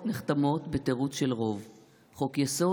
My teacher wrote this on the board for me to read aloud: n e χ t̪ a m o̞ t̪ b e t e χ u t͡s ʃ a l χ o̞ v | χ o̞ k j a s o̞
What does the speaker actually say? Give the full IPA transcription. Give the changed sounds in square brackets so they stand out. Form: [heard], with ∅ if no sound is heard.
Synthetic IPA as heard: n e χ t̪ a m o̞ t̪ b e t e [ʁ] u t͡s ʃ [e] l [ʁ] o̞ v | χ o̞ k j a s o̞